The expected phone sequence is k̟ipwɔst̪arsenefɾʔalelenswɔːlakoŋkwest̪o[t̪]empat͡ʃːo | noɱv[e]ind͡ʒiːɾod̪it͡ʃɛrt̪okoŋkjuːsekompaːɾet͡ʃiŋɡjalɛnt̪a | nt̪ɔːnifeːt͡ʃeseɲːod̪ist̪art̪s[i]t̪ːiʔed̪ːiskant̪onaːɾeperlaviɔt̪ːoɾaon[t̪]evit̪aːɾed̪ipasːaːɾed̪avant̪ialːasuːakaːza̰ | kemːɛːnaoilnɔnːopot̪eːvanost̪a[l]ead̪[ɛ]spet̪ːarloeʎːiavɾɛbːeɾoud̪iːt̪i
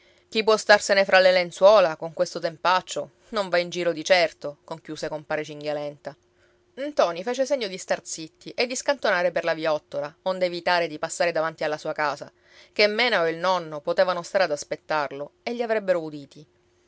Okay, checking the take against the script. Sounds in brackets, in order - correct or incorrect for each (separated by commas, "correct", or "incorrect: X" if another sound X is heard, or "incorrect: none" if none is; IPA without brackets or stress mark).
correct, incorrect: a, correct, incorrect: d̪, incorrect: ɾ, incorrect: a